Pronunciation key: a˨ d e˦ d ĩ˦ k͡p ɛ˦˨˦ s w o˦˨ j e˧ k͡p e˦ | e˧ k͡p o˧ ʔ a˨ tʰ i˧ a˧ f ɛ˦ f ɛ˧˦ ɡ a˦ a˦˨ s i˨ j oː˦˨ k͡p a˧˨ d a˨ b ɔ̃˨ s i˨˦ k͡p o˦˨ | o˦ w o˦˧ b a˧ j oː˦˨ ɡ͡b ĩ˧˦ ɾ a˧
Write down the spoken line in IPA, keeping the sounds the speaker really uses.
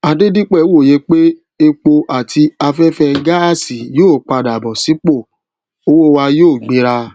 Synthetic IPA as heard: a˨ d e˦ d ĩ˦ k͡p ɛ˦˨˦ w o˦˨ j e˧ k͡p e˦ | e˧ k͡p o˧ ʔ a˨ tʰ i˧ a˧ f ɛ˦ f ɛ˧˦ ɡ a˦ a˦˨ s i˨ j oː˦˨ k͡p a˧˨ d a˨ b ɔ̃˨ s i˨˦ k͡p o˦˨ | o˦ w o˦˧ w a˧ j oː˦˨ ɡ͡b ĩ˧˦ ɾ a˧